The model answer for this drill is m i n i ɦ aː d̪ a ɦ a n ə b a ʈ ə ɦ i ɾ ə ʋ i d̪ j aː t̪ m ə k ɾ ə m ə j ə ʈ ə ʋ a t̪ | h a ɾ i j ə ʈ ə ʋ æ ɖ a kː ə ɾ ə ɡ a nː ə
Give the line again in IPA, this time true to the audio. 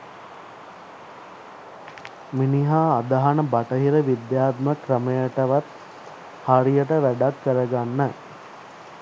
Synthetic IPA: m i n i ɦ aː d̪ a ɦ a n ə b a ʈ ə ɦ i ɾ ə ʋ i d̪ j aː t̪ m ə k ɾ ə m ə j ə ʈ ə ʋ a t̪ | h a ɾ i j ə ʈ ə ʋ æ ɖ a kː ə ɾ ə ɡ a nː ə